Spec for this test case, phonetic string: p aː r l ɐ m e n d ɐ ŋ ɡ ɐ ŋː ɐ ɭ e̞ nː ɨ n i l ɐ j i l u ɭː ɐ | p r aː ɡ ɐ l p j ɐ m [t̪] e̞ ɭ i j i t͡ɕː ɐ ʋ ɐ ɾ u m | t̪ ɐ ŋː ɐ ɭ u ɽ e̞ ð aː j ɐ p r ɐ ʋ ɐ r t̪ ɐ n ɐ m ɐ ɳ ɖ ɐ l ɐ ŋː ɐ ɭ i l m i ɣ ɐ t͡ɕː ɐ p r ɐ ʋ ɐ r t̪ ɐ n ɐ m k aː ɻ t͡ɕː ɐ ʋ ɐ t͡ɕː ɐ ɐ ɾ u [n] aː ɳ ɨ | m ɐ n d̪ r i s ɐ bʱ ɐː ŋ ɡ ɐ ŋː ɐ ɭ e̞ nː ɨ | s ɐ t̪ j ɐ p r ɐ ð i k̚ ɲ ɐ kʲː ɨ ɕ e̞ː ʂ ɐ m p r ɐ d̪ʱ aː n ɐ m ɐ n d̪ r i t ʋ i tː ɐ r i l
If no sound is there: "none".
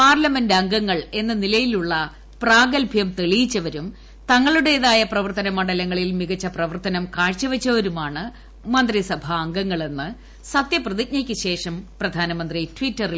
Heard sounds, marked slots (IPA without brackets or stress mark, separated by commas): t̪, m